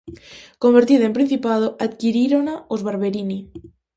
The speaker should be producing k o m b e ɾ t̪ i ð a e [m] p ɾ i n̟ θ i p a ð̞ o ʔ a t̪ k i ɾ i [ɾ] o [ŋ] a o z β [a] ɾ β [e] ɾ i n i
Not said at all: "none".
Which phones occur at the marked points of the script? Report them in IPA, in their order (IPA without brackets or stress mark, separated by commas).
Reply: m, ɾ, n, a, e